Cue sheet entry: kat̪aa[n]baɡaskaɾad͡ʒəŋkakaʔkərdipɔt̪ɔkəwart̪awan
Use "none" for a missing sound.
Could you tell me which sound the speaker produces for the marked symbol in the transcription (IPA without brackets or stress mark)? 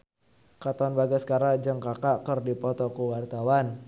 n